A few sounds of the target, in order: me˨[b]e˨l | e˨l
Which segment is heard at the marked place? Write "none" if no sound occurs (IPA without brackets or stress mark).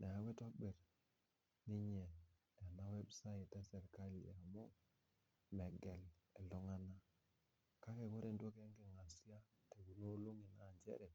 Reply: ɡ